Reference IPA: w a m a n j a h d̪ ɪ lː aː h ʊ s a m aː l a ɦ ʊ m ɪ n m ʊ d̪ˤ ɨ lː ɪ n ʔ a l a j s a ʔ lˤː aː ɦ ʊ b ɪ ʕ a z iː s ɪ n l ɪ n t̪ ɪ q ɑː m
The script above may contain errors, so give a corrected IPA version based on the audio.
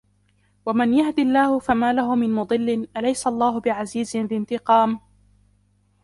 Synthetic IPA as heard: w a m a n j a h d̪ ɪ lː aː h ʊ f a m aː l a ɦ ʊ m ɪ n m ʊ d̪ˤ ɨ lː ɪ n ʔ a l a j s a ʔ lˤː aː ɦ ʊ b ɪ ʕ a z iː z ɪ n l ɪ n t̪ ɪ q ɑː m